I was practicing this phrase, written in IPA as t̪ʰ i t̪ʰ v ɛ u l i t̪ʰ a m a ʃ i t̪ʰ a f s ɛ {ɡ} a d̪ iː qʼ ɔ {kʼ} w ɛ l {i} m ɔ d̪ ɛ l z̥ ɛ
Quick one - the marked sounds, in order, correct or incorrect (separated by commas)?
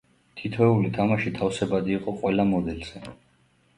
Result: incorrect, incorrect, incorrect